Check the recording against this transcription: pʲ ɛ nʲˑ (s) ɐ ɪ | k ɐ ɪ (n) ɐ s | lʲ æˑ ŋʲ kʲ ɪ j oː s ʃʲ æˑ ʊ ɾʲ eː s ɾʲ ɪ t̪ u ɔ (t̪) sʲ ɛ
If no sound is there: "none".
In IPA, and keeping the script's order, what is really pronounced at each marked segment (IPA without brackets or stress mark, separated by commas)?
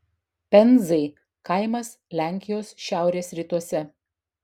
z, m, none